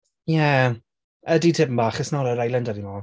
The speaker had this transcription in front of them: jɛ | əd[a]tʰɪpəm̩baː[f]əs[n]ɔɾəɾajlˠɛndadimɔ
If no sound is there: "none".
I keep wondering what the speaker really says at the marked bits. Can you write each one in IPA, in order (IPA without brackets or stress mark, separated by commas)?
i, χ, n